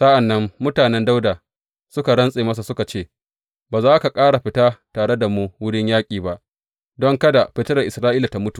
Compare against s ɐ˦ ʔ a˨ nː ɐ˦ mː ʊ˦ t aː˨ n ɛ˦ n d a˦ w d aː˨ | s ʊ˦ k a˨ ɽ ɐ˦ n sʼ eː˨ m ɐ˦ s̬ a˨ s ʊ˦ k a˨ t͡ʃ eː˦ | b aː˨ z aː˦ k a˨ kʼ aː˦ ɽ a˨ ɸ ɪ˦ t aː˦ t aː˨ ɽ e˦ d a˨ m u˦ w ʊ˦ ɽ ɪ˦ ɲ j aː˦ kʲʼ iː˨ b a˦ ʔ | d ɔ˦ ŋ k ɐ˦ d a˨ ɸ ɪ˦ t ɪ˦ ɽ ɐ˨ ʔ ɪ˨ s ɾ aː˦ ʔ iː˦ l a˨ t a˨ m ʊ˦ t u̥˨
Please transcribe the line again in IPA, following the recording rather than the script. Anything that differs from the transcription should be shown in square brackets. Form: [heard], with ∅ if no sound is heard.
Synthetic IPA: s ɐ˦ ʔ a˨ nː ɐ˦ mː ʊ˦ t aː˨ n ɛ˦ n d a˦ w d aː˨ | s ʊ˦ k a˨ ɽ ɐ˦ n sʼ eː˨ m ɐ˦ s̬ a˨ s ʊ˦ k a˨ t͡ʃ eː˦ | b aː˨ z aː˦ k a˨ kʼ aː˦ ɽ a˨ ɸ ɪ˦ t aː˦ t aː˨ ɽ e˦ d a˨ m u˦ w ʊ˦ ɽ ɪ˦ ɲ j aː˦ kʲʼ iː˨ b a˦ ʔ | d ɔ˦ ŋ k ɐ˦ d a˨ ɸ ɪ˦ t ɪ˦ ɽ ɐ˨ ʔ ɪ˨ s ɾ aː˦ ʔ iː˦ l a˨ t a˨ m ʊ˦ t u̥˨